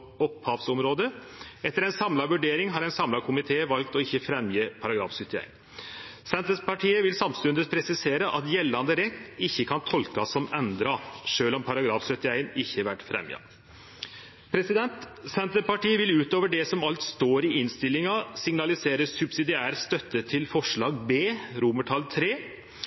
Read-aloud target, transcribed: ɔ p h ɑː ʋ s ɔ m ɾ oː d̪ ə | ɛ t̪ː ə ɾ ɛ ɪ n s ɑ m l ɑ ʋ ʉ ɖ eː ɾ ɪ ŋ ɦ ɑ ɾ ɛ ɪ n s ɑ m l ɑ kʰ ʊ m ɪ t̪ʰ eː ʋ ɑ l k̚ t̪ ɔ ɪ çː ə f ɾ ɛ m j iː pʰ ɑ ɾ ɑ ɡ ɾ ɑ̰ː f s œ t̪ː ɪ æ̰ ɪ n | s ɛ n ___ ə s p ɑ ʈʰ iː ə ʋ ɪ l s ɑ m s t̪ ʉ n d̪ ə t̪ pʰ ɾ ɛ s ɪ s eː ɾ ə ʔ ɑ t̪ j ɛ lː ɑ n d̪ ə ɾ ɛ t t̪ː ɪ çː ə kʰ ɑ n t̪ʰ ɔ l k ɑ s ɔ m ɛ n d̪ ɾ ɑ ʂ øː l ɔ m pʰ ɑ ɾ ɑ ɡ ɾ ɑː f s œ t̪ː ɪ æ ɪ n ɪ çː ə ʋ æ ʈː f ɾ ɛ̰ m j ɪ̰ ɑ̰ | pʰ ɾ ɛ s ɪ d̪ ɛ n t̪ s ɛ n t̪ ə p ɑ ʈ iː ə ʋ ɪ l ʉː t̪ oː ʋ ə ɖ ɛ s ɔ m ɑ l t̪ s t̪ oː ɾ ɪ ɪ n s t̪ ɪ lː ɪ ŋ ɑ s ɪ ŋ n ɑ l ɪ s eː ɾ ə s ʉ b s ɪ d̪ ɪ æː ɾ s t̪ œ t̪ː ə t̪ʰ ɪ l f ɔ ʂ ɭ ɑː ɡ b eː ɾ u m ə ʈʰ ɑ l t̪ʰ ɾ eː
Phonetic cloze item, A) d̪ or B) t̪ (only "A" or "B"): B